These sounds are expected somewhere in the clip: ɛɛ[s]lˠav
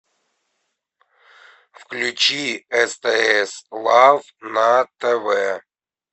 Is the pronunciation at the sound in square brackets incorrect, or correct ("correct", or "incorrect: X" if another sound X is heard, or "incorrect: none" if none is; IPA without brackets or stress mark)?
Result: correct